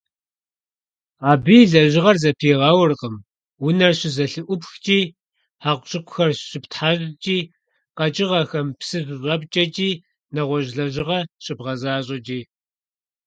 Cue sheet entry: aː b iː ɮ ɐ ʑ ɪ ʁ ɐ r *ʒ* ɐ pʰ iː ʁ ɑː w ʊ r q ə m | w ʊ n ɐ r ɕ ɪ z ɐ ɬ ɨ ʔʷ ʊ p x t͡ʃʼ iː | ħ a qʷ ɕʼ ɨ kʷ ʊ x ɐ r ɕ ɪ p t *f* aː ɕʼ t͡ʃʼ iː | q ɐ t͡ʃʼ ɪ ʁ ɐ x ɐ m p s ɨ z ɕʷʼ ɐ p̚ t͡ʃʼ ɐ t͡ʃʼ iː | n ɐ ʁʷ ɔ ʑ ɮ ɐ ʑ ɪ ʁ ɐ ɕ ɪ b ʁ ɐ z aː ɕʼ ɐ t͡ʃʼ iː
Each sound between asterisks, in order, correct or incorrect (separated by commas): incorrect, incorrect